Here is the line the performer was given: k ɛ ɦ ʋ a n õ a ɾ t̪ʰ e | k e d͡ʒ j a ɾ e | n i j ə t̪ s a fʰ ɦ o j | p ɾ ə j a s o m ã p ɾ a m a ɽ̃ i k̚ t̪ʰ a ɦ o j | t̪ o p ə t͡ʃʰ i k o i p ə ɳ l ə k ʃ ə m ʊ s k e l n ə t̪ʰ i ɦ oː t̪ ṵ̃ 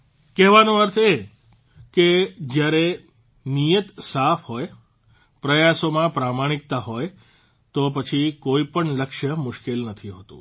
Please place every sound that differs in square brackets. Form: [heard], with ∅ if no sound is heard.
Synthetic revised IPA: k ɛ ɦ ʋ a n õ [ə] ɾ t̪ʰ e | k e d͡ʒ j a ɾ e | n i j ə t̪ s a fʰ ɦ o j | p ɾ ə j a s o m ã p ɾ a m a ɽ̃ i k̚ [t̪] a ɦ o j | t̪ o p ə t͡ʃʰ i k o i p ə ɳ l ə k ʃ ə m ʊ [ʃ] k e l n ə t̪ʰ i ɦ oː t̪ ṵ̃

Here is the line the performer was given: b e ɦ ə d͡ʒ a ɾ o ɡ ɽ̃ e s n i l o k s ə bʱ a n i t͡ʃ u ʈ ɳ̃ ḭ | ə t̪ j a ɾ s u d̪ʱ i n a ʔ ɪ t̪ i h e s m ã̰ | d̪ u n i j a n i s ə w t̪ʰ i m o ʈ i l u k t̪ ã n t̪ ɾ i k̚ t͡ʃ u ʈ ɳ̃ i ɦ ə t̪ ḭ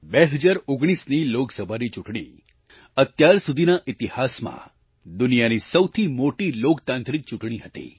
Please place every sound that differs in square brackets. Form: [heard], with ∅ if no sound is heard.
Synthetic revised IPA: b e ɦ ə d͡ʒ a ɾ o ɡ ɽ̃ [i] s n i l o k s ə bʱ a n i t͡ʃ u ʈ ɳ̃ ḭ | ə t̪ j a ɾ s u d̪ʱ i n a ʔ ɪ t̪ i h [a] s m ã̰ | d̪ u n i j a n i s ə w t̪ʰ i m o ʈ i l [o] k t̪ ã n t̪ ɾ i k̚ t͡ʃ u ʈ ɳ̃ i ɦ ə t̪ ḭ

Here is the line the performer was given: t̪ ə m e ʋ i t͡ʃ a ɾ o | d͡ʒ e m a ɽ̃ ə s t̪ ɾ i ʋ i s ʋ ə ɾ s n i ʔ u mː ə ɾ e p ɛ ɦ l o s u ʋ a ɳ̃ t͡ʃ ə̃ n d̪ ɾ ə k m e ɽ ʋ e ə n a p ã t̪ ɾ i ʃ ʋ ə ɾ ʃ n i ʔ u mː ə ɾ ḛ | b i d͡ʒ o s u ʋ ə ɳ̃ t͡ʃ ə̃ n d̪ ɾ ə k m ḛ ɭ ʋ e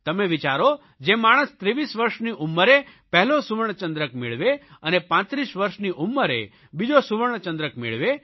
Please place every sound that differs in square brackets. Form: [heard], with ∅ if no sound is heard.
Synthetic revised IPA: t̪ ə m e ʋ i t͡ʃ a ɾ o | d͡ʒ e m a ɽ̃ ə s t̪ ɾ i ʋ i s ʋ ə ɾ [ʃ] n i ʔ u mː ə ɾ e p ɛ ɦ l o s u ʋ [ə] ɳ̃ t͡ʃ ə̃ n d̪ ɾ ə k m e [ɭ] ʋ e ə n [e] p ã t̪ ɾ i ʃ ʋ ə ɾ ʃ n i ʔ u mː ə ɾ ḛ | b i d͡ʒ o s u ʋ ə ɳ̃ t͡ʃ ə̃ n d̪ ɾ ə k m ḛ ɭ ʋ e

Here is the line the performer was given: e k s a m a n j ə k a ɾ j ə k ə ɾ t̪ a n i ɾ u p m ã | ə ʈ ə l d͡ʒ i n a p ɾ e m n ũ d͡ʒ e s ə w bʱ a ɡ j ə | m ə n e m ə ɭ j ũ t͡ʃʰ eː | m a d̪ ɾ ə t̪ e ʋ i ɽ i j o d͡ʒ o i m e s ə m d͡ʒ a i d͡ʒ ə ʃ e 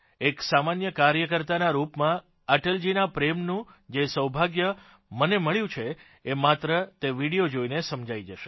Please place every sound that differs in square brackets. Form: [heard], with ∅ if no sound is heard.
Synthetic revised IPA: e k s a m a n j ə k a ɾ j ə k ə ɾ t̪ a n [a] ɾ u p m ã | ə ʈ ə l d͡ʒ i n a p ɾ e m n ũ d͡ʒ e s ə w bʱ a ɡ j ə | m ə n e m ə ɭ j ũ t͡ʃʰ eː | m a [t̪] ɾ ə t̪ e ʋ i ɽ i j o d͡ʒ o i [n] e s ə m d͡ʒ a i d͡ʒ ə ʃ e

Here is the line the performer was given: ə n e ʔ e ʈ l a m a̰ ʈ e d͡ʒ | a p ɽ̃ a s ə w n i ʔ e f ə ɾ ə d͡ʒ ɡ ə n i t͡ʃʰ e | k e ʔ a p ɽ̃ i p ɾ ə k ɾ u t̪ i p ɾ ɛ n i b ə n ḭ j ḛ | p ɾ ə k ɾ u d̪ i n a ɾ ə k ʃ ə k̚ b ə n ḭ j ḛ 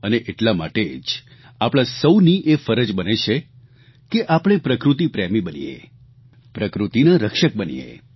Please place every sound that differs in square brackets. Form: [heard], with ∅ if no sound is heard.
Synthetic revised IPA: ə n e ʔ e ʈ l a m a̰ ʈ e d͡ʒ | a p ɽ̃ a s ə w n i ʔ e f ə ɾ ə d͡ʒ [b] ə n [e] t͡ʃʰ e | k e ʔ a p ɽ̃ [e] p ɾ ə k ɾ u t̪ i p ɾ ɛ [m] i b ə n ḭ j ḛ | p ɾ ə k ɾ u [t̪] i n a ɾ ə k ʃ ə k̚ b ə n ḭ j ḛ

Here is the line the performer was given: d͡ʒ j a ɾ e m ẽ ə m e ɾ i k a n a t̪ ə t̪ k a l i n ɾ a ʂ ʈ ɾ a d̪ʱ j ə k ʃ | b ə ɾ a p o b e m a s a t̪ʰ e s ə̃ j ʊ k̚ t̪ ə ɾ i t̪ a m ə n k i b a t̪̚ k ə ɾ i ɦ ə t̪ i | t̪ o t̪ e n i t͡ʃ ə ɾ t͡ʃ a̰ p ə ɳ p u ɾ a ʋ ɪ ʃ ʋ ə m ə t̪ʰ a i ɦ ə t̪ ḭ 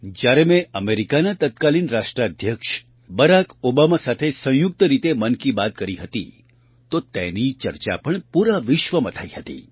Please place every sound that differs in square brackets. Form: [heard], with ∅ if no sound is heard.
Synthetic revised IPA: d͡ʒ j a ɾ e m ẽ ə m e ɾ i k a n a t̪ ə t̪ k a l i n ɾ a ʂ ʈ ɾ a d̪ʱ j ə k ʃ | b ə ɾ a [k] o b [a] m a s a t̪ʰ e s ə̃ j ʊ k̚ t̪ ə ɾ i t̪ [e] m ə n k i b a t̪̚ k ə ɾ i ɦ ə t̪ i | t̪ o t̪ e n i t͡ʃ ə ɾ t͡ʃ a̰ p ə ɳ p u ɾ a ʋ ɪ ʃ ʋ ə m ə t̪ʰ a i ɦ ə t̪ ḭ

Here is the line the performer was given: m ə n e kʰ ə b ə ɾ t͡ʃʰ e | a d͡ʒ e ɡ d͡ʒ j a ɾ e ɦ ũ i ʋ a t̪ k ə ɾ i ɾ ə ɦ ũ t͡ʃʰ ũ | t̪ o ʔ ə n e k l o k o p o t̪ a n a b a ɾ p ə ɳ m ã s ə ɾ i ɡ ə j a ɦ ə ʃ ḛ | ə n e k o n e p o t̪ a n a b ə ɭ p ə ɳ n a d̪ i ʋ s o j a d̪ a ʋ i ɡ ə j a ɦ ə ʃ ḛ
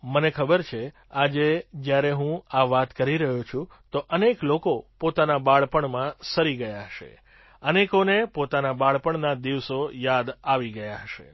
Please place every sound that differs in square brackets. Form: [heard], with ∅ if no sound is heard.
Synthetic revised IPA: m ə n e kʰ ə b ə ɾ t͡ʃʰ e | a d͡ʒ e [∅] d͡ʒ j a ɾ e ɦ ũ [a] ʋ a t̪ k ə ɾ i ɾ ə ɦ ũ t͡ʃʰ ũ | t̪ o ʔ ə n e k l o k o p o t̪ a n a b a [ɭ] p ə ɳ m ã s ə ɾ i ɡ ə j a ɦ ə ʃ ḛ | ə n e k o n e p o t̪ a n a b [a] ɭ p ə ɳ n a d̪ i ʋ s o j a d̪ a ʋ i ɡ ə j a ɦ ə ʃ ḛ

